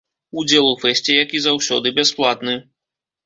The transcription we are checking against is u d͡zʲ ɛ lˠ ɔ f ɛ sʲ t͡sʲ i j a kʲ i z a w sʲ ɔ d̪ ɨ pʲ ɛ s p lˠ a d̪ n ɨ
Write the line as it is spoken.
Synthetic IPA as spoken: u d͡zʲ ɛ lˠ u f ɛ sʲ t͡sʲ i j a kʲ i z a w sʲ ɔ d̪ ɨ bʲ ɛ s p lˠ a t̪ n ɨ